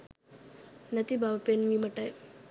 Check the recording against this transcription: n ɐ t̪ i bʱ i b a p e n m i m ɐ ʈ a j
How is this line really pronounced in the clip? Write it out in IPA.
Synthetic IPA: n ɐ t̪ i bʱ a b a p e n m i m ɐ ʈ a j